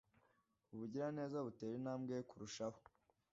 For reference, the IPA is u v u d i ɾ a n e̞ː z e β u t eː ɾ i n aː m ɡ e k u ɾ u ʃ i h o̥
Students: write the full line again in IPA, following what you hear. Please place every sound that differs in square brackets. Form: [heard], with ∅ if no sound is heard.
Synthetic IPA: u [β] u [ɟ] i ɾ a n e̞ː z [a] β u t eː ɾ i n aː m ɡ e k u ɾ u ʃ [a] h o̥